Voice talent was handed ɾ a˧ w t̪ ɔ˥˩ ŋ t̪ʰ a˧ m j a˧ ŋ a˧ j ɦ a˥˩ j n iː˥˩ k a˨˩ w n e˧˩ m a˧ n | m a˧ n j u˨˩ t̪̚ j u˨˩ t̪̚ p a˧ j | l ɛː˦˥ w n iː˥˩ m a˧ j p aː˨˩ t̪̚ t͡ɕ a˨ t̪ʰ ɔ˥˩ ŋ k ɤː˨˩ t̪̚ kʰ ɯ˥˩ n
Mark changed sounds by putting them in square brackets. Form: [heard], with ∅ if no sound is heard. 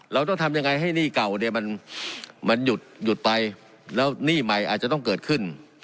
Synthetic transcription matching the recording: ɾ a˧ w t̪ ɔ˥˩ ŋ t̪ʰ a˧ m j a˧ ŋ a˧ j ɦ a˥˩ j n iː˥˩ k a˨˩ w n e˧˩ m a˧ n | m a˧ n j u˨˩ t̪̚ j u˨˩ t̪̚ p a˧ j | l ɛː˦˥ w n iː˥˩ m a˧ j [ʔ] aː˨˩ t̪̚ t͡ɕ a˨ [t̪] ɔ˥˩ ŋ k ɤː˨˩ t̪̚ kʰ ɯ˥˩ n